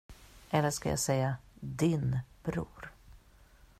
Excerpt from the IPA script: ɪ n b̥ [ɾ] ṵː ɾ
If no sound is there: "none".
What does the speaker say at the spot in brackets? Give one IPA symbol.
ɾ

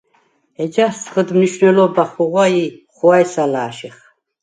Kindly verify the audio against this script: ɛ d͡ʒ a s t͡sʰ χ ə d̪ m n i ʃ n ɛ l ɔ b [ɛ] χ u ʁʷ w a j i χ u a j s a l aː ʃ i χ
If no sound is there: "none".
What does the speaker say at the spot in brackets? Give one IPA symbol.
a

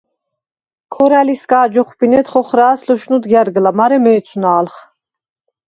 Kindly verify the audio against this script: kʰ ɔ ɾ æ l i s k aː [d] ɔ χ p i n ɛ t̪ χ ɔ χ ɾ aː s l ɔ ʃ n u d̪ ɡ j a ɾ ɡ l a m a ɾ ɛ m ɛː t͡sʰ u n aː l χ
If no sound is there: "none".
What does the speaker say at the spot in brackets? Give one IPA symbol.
d͡ʒ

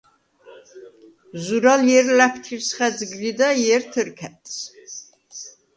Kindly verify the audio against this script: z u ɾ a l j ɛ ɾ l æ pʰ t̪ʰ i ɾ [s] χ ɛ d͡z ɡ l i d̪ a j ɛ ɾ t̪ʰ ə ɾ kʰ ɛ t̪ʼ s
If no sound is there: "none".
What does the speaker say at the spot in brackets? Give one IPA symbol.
s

